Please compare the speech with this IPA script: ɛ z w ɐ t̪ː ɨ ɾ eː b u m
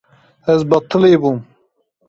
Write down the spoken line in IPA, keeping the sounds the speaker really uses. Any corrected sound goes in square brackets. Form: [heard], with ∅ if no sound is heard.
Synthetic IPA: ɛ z [b] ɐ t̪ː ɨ [l] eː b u m